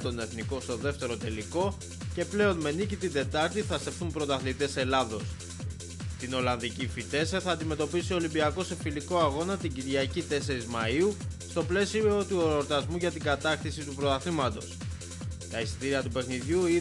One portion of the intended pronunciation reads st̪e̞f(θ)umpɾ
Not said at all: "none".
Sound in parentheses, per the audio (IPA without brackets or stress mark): θ